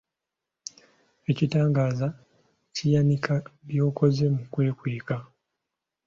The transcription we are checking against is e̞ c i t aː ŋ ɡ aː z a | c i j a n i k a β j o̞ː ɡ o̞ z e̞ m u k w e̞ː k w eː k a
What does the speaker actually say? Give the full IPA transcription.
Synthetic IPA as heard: e̞ c i t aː ŋ ɡ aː z a | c i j a n i k a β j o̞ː k o̞ z e̞ m u k w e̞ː k w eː k a